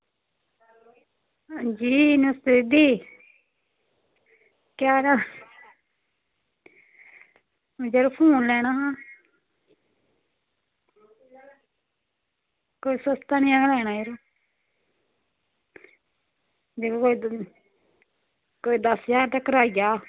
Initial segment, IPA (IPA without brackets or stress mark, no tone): d͡ʒ